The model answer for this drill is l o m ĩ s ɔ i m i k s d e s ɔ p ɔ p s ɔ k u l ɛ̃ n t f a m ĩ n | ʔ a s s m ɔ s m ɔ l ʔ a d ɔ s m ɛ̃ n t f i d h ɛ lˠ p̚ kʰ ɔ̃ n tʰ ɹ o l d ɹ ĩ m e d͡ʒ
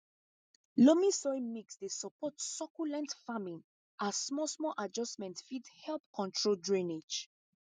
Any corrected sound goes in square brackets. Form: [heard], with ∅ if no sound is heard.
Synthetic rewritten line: l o m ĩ s ɔ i m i k s d e s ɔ p ɔ [t] s ɔ k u l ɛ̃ n t f a m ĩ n | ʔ a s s m ɔ s m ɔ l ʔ a [d͡ʒ] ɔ s m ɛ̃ n t f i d h ɛ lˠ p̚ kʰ ɔ̃ n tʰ ɹ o l d ɹ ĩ [n] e d͡ʒ